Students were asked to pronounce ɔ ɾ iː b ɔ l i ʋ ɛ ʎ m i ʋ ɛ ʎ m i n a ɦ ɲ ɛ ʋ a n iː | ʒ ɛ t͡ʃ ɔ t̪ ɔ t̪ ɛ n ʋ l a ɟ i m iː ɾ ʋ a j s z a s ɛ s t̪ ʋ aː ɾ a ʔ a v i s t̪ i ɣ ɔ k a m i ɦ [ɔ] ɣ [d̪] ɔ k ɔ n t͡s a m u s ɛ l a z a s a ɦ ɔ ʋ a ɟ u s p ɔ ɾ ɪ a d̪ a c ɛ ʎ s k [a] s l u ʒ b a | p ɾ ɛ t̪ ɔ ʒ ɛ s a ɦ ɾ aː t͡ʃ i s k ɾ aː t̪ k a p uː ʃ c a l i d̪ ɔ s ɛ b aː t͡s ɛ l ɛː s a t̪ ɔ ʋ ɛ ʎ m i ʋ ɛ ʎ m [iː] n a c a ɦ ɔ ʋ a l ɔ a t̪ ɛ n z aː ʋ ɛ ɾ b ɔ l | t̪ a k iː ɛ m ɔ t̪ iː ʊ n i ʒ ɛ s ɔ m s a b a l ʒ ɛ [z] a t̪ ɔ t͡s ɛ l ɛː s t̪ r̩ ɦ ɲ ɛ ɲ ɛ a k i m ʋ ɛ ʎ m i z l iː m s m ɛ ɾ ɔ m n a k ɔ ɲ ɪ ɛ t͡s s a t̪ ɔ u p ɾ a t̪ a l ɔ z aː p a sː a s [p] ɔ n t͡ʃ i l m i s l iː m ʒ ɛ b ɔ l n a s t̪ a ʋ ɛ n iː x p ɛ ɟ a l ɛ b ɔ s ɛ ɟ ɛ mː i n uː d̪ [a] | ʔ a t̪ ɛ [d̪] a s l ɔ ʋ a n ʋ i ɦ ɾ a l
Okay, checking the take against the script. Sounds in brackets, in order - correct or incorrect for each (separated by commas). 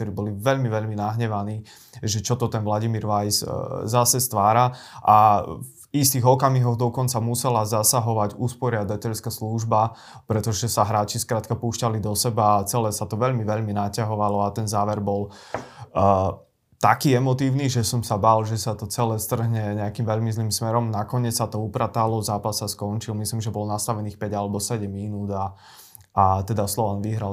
correct, correct, correct, incorrect, incorrect, incorrect, correct, correct